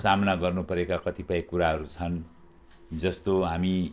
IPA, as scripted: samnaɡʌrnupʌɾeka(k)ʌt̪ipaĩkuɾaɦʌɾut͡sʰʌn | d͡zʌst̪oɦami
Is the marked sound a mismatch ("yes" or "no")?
no